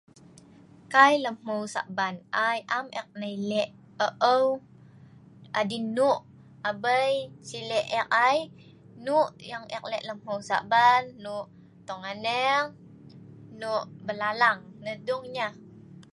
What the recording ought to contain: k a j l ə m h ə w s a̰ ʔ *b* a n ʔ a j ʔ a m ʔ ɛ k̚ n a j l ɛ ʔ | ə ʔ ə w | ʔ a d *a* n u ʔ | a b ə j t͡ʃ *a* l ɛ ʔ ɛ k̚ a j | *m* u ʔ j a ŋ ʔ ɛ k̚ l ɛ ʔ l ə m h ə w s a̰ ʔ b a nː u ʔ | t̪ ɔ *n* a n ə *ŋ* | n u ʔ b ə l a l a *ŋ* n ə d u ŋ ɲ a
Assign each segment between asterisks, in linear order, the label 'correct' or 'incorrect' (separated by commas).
correct, incorrect, incorrect, incorrect, incorrect, correct, correct